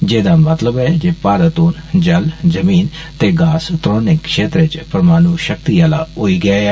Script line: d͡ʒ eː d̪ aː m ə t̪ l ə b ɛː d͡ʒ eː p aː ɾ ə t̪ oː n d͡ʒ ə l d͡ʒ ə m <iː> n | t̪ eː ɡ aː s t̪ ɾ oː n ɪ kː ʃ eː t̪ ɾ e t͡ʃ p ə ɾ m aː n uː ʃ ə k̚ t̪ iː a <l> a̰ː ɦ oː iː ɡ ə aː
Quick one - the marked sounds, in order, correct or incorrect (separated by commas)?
correct, correct